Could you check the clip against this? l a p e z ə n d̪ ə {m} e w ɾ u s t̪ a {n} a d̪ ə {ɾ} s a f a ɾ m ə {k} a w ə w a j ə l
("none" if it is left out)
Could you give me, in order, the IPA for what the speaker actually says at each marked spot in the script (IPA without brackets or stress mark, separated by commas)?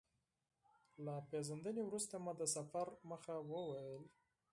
n, m, none, x